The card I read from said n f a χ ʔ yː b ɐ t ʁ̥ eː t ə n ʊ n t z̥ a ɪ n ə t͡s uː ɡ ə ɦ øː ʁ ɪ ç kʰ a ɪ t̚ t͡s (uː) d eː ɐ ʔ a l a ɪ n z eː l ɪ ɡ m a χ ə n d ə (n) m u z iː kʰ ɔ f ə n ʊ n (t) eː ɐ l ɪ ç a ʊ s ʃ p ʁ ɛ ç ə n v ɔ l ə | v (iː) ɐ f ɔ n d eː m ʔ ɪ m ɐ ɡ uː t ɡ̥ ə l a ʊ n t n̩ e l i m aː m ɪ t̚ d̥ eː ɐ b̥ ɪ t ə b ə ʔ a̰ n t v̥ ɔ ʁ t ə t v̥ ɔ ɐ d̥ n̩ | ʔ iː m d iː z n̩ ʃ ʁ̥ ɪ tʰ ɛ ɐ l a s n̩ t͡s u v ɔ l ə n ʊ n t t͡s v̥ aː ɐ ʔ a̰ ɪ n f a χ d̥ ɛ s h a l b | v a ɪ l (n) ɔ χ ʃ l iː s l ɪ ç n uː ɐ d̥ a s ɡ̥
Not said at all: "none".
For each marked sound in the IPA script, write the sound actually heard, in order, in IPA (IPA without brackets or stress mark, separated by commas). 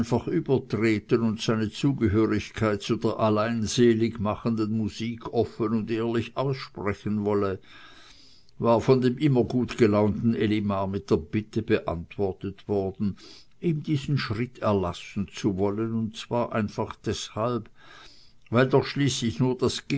u, n, d, aː, d